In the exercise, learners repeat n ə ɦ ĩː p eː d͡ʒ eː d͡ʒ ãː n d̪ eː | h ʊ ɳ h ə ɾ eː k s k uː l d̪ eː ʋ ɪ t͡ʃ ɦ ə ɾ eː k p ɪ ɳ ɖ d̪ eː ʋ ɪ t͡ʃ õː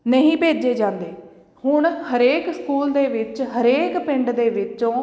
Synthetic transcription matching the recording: n ə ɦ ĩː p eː d͡ʒ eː d͡ʒ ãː n d̪ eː | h ʊ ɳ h ə ɾ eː k s k uː l d̪ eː ʋ ɪ t͡ʃ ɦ ə ɾ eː k p ɪ ɳ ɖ d̪ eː ʋ ɪ t͡ʃ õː